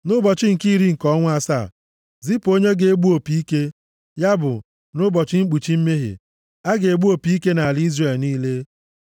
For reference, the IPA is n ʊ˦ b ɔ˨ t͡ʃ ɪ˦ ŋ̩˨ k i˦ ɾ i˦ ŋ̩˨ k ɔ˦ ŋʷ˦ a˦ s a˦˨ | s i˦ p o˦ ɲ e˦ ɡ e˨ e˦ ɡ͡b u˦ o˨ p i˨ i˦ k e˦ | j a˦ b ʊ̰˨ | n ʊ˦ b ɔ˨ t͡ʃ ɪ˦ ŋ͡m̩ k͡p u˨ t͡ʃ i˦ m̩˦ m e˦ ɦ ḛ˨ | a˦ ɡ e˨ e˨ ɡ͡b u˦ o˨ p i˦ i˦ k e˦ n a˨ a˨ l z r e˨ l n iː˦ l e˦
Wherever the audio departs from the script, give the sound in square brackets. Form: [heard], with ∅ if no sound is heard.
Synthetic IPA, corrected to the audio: n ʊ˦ b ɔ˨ t͡ʃ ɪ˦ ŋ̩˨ k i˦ ɾ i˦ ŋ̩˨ k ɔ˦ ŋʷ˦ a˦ s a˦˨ | [z] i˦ p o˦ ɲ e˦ ɡ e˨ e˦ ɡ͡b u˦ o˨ p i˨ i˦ k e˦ | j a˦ b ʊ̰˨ | n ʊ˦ b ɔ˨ t͡ʃ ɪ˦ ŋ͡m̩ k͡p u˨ t͡ʃ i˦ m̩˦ m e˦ ɦ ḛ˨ | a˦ ɡ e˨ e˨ ɡ͡b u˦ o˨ p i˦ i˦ k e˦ n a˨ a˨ l z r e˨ l n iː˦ l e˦